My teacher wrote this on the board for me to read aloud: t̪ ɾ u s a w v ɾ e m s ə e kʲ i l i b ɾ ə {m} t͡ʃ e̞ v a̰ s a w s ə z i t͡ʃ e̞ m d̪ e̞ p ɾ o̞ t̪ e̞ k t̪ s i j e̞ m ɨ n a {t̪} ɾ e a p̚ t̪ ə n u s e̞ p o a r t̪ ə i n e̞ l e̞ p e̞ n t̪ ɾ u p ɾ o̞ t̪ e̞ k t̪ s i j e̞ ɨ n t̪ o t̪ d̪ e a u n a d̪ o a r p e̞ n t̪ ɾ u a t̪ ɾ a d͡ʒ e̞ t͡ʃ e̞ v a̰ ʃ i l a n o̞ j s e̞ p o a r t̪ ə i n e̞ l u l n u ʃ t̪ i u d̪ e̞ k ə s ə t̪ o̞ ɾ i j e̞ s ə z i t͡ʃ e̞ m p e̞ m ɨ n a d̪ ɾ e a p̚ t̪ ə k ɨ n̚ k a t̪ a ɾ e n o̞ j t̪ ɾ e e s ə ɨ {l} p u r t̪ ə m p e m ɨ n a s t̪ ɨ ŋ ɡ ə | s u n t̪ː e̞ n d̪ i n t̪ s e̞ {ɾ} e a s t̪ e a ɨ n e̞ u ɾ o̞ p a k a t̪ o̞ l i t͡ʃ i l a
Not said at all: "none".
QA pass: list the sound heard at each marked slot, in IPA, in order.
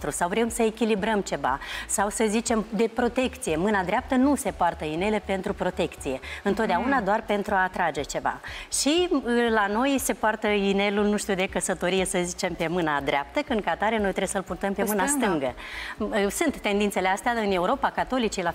m, d̪, l, l

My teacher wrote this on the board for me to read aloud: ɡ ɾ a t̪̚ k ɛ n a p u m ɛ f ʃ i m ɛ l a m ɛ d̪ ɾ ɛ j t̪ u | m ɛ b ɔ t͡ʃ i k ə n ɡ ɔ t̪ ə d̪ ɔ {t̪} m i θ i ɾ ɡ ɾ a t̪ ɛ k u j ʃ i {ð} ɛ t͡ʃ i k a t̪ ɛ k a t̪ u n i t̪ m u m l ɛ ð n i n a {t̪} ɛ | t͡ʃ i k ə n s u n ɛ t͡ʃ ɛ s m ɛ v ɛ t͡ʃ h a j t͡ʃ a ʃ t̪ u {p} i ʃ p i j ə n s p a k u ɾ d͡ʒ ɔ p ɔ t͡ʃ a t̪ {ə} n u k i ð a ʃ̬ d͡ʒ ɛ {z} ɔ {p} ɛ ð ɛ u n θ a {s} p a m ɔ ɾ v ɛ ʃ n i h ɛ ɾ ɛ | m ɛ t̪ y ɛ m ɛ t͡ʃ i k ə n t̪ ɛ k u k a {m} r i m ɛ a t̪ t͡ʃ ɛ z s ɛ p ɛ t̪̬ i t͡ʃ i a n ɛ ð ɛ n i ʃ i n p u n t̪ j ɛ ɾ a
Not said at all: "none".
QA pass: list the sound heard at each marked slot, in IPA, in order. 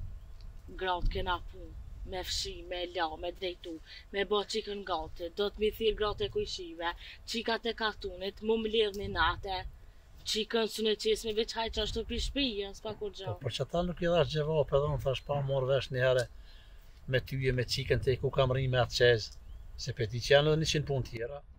t̪, v, t̪, p, a, v, p, ʃ, m

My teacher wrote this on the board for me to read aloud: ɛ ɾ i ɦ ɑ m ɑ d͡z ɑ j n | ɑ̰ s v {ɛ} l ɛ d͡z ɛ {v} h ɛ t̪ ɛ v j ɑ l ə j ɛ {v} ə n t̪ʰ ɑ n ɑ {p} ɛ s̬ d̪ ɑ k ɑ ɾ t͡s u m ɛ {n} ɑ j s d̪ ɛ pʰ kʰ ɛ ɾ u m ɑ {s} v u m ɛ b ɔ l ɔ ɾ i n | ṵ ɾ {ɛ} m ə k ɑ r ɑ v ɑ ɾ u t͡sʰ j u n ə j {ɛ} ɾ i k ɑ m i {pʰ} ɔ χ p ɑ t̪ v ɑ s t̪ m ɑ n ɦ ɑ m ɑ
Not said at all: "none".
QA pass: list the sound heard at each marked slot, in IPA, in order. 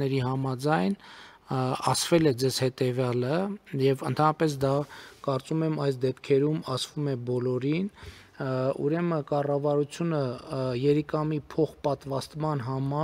ɛ, z, v, p, m, s, ɛ, ɛ, pʰ

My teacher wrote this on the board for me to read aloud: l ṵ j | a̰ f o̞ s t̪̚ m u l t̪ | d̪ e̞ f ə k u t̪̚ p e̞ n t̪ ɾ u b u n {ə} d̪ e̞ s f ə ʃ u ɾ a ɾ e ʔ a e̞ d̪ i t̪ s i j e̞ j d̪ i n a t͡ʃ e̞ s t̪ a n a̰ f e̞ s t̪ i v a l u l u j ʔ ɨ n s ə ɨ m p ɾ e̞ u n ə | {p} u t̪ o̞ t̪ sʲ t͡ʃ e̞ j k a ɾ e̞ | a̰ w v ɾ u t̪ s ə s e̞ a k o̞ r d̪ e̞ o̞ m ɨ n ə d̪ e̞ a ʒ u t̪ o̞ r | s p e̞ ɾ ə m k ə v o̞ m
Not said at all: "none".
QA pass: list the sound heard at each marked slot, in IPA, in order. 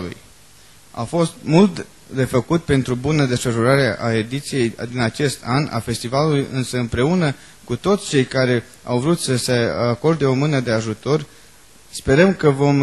ə, k

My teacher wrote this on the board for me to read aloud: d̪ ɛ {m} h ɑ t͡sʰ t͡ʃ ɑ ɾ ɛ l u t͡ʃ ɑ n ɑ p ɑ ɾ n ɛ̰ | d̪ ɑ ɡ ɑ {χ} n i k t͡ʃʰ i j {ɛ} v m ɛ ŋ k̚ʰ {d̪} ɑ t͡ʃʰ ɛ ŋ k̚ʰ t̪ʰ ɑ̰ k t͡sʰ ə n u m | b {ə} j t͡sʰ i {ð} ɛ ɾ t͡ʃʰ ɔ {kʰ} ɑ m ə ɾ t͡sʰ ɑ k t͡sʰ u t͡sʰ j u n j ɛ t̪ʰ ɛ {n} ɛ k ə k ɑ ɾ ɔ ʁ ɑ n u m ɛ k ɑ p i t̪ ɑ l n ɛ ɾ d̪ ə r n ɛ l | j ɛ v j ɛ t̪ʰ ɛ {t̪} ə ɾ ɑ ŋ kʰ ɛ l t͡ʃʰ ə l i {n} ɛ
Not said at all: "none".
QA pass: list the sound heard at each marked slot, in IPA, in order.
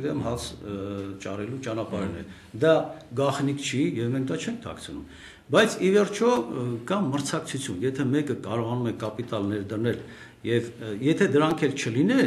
m, χ, ɛ, d̪, ɑ, v, k, m, d̪, n

